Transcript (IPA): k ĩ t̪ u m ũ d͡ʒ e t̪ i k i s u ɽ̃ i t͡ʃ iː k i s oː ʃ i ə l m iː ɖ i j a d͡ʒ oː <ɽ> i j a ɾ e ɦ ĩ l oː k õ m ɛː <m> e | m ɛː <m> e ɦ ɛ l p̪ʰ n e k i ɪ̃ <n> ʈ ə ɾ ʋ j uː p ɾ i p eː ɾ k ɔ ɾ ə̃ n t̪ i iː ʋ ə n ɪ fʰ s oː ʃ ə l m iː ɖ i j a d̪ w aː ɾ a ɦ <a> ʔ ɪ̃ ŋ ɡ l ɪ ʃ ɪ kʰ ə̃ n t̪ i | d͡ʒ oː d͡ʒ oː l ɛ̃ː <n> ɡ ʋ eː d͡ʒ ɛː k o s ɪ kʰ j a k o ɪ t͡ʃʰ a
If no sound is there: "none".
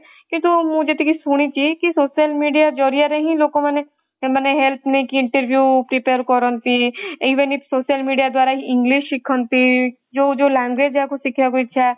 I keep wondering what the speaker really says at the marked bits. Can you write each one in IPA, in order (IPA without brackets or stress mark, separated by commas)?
ɾ, n, n, ɳ, i, ŋ